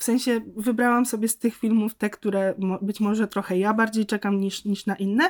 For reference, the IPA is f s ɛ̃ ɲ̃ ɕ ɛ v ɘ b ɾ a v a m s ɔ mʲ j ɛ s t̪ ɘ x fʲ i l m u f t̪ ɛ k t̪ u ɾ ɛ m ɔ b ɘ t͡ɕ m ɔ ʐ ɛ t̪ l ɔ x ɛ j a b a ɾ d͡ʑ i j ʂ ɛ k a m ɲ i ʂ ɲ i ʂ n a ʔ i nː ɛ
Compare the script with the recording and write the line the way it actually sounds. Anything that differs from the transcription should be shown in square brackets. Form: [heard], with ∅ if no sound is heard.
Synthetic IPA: f s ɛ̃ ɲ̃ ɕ ɛ v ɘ b ɾ a [w] a m s ɔ [bʲ] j ɛ s t̪ ɘ x fʲ i l m u f t̪ ɛ k t̪ u ɾ ɛ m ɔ b ɘ t͡ɕ m ɔ ʐ ɛ t̪ [ɾ] ɔ x ɛ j a b a ɾ d͡ʑ [e] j [t͡ʂ] ɛ k a m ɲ i ʂ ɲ i ʂ n a ʔ i nː ɛ